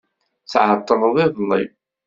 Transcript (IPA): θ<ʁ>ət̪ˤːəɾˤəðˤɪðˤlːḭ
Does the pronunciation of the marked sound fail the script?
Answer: yes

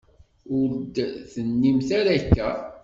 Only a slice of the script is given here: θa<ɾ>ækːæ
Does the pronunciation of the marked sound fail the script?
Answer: no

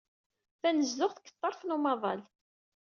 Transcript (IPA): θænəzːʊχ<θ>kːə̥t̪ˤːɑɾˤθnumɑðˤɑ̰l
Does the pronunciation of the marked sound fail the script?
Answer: no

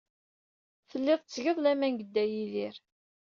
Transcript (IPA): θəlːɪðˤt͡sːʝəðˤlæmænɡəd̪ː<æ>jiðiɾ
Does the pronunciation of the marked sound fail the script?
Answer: no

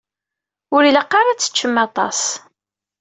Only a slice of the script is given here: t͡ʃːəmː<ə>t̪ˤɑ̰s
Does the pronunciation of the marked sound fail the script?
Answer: yes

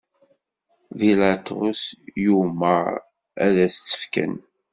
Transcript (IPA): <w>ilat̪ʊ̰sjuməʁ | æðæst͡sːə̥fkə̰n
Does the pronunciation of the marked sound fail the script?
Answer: yes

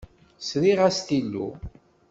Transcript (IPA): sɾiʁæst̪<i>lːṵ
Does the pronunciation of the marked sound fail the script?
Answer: no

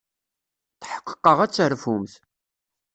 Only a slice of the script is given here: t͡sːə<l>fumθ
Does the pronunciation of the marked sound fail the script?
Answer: yes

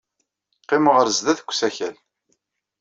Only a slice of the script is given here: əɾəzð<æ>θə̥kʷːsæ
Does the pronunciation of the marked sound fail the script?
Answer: no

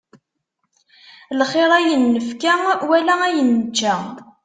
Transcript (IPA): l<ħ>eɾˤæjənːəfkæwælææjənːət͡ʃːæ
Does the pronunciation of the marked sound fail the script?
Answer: yes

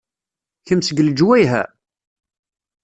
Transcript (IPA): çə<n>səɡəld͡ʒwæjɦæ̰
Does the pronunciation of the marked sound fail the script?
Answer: yes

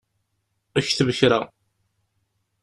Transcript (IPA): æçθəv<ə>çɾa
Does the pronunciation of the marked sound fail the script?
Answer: no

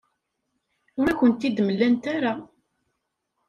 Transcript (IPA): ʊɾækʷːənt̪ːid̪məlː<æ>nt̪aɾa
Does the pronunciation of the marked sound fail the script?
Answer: no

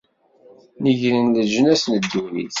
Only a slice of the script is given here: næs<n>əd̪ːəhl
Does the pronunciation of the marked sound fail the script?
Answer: no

